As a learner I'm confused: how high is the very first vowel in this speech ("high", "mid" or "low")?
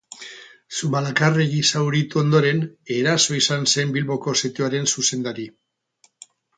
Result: high